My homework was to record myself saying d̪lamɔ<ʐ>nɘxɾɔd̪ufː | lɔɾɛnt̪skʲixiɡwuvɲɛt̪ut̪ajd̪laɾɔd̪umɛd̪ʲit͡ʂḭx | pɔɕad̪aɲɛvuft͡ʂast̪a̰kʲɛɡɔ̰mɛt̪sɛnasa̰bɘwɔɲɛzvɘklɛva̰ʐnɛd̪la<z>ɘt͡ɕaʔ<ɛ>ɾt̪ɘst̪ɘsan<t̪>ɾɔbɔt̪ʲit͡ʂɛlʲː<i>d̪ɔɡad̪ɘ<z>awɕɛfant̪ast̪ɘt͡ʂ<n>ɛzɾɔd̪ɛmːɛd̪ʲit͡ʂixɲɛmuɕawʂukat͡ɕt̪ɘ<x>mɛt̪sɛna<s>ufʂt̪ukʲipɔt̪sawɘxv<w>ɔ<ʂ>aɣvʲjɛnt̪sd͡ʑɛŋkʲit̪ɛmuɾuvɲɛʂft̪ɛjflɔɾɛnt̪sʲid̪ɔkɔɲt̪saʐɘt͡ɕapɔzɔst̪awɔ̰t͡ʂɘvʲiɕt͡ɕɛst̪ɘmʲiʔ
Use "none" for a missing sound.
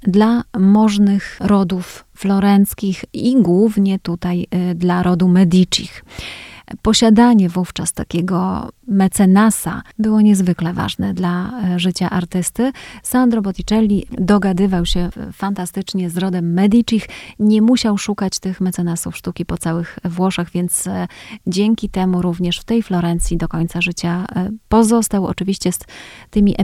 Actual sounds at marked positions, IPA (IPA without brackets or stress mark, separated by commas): ʐ, ʐ, a, d̪, i, v, ɲ, x, s, w, ʂ